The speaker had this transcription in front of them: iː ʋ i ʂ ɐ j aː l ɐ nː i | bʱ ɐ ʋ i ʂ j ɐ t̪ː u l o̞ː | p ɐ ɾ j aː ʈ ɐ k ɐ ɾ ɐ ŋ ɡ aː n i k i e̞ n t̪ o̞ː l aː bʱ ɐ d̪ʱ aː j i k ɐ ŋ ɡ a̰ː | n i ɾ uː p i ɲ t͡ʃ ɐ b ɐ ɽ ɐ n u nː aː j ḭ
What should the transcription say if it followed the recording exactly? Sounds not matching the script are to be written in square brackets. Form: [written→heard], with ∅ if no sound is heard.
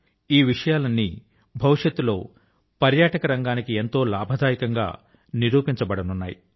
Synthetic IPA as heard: iː ʋ i ʂ ɐ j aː l ɐ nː i | bʱ ɐ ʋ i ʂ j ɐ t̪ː u l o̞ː | p ɐ ɾ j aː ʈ ɐ k ɐ ɾ ɐ ŋ ɡ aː n i k i e̞ n t̪ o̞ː l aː bʱ ɐ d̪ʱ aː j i k ɐ ŋ ɡ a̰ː | n i ɾ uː p i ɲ t͡ʃ ɐ b ɐ ɽ ɐ n u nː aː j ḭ